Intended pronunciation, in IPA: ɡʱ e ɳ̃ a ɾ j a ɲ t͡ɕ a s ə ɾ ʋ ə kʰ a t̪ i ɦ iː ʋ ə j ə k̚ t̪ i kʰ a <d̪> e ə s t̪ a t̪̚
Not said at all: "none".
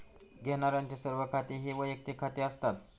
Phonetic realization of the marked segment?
t̪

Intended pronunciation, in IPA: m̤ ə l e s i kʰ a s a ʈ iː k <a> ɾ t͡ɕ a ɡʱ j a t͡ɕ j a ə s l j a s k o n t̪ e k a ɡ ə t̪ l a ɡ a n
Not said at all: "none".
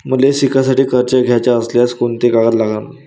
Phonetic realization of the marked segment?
ə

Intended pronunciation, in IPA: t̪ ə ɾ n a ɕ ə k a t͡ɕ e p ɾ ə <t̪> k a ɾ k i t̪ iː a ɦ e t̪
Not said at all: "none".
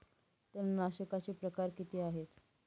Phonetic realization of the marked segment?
none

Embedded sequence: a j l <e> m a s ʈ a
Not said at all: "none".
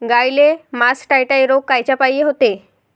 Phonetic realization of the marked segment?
e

